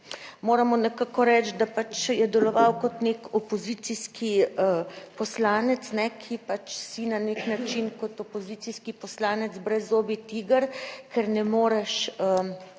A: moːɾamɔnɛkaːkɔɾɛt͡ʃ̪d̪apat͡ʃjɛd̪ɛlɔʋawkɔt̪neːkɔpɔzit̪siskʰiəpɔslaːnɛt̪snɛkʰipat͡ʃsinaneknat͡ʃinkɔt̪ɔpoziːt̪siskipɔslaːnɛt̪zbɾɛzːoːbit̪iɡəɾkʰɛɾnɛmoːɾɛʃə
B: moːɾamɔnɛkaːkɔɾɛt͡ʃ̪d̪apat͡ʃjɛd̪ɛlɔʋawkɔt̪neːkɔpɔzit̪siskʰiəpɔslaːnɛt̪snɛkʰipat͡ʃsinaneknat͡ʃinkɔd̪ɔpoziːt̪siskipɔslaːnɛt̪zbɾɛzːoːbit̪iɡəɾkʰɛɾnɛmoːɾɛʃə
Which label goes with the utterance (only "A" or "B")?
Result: A